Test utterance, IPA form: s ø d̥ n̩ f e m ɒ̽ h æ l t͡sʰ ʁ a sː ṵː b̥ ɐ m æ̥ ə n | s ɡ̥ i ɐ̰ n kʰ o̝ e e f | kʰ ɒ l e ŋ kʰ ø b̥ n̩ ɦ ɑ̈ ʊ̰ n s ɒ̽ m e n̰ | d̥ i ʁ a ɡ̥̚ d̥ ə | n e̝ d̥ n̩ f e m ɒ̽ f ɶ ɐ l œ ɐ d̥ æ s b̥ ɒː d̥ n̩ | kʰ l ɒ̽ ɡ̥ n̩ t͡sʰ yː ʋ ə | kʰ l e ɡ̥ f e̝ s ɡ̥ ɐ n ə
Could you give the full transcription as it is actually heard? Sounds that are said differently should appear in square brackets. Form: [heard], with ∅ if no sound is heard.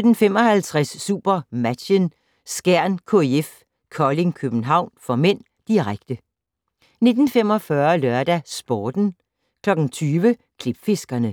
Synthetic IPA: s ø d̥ n̩ f e m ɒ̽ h æ l t͡sʰ ʁ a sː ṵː b̥ ɐ m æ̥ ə n | s ɡ̥ [æ] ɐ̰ n kʰ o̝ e e f | kʰ ɒ l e ŋ kʰ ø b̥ n̩ ɦ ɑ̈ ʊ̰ n [f] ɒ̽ m e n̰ | d̥ i ʁ a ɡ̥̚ d̥ ə | n e̝ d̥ n̩ f e m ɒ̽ f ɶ ɐ l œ ɐ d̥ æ s b̥ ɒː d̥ n̩ | kʰ l ɒ̽ ɡ̥ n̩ t͡sʰ yː ʋ ə | kʰ l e [b̥] f e̝ s ɡ̥ ɐ n ə